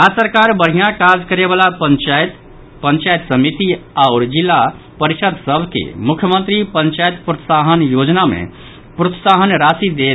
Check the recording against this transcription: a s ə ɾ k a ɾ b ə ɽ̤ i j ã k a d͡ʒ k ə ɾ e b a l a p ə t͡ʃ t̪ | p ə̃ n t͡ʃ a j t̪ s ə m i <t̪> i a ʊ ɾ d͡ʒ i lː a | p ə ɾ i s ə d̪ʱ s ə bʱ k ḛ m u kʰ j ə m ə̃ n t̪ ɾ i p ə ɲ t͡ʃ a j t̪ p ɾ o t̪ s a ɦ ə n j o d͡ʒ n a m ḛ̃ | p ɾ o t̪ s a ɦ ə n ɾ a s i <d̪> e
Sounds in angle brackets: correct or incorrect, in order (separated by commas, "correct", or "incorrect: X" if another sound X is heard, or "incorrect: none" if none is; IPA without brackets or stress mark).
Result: correct, correct